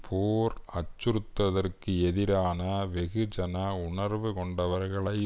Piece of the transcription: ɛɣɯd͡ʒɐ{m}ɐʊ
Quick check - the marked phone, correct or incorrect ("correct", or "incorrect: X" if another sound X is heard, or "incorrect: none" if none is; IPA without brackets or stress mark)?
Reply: incorrect: n